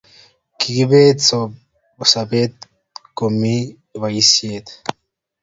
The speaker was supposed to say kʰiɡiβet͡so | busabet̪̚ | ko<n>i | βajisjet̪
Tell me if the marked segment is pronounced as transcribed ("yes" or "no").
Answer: no